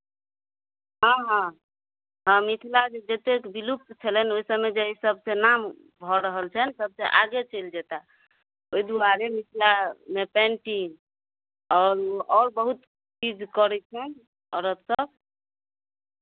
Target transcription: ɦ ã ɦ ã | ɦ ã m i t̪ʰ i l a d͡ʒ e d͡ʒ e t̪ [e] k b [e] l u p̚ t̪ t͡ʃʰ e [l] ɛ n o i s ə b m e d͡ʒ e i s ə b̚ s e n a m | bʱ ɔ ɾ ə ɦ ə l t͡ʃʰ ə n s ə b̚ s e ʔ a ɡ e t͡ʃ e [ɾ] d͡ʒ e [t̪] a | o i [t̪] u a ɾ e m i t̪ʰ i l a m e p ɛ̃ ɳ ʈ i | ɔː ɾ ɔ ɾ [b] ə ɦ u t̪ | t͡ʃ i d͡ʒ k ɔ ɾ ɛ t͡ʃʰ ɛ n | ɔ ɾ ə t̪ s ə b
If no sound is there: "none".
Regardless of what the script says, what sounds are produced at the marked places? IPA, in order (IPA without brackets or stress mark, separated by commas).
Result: e, i, l, l, t̪, d̪, b